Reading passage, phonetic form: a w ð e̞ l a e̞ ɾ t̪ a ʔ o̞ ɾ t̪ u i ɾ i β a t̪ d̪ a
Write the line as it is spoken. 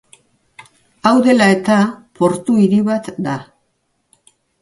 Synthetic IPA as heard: a w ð e̞ l a e̞ t̪ a p o̞ ɾ t̪ u i ɾ i β a t̪ d̪ a